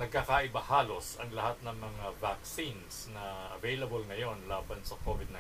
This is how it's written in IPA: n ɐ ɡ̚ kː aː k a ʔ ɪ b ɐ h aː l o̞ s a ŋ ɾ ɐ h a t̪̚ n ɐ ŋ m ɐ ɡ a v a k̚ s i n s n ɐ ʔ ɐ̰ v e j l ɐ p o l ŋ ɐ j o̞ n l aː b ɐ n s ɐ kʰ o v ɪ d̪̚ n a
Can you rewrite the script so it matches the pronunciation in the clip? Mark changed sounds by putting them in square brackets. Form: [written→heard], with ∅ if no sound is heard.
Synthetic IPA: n ɐ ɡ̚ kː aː k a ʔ ɪ b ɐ h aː l o̞ s [a→ɐ] ŋ [ɾ→l] ɐ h a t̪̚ n ɐ ŋ m ɐ [ɡ→ŋ] a v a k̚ s i n s n ɐ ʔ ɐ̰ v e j l ɐ [p→b] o l ŋ ɐ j o̞ n l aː b ɐ n s ɐ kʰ o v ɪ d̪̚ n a